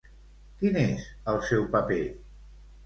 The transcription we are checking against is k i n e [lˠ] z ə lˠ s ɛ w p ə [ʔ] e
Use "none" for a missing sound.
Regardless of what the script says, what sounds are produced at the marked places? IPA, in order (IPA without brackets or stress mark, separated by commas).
none, p